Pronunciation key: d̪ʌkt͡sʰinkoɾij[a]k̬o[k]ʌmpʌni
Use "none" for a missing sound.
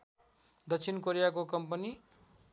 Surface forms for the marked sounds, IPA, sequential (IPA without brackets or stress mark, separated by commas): a, k